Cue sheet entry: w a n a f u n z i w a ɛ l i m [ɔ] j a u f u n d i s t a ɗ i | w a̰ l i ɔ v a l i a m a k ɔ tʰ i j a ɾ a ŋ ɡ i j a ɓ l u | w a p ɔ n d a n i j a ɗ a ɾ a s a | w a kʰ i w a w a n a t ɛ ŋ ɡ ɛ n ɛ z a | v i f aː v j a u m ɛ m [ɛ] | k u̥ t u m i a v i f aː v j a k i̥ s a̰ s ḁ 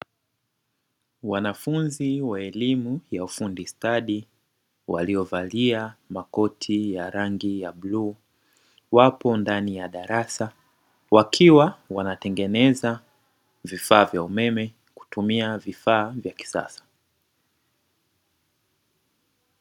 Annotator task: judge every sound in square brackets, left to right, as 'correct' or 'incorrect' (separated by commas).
incorrect, correct